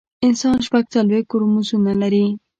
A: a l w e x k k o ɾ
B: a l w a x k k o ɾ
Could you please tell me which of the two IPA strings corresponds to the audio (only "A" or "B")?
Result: A